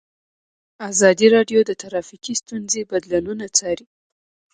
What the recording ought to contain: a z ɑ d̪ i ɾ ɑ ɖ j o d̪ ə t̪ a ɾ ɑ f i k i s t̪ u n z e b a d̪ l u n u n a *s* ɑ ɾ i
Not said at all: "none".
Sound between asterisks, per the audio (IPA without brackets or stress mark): t͡s